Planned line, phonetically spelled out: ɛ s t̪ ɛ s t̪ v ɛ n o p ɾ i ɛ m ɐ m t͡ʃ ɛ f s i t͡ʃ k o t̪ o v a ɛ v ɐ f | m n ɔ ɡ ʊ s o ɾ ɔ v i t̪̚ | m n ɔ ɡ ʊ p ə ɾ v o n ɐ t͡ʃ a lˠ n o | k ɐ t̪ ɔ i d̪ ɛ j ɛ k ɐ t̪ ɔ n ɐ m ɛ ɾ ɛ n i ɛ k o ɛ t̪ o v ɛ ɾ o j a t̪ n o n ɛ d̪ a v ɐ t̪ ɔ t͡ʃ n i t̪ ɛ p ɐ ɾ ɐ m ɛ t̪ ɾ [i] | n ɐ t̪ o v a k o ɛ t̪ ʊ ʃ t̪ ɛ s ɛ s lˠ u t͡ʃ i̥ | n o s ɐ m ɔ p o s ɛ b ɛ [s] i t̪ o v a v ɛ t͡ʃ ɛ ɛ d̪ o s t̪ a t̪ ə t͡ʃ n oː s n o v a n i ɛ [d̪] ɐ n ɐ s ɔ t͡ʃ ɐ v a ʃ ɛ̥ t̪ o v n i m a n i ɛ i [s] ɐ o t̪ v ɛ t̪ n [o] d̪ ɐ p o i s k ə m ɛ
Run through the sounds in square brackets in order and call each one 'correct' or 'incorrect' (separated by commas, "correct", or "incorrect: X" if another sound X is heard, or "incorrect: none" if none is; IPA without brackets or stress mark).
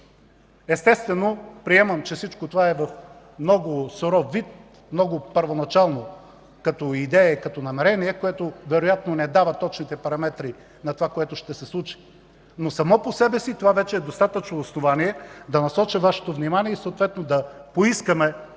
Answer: correct, correct, correct, correct, correct